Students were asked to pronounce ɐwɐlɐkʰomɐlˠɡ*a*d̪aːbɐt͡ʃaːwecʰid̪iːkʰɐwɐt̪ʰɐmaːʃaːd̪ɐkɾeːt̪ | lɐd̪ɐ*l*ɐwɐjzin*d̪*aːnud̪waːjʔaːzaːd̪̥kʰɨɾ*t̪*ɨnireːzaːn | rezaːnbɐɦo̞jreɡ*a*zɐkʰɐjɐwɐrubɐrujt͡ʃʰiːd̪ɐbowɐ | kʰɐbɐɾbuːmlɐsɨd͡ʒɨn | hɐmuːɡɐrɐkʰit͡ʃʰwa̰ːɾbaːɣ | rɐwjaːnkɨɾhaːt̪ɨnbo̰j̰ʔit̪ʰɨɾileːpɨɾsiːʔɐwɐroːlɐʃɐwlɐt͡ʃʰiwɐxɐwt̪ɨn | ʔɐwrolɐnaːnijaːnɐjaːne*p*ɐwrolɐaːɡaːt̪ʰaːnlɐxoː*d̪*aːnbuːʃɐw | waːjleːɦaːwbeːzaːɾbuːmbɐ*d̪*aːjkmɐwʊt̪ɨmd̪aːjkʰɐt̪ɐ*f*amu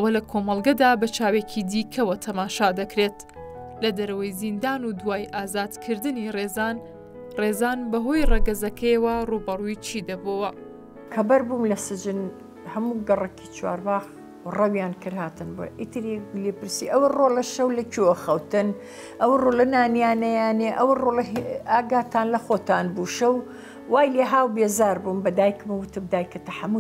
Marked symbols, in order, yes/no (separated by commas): no, no, yes, no, no, no, no, yes, no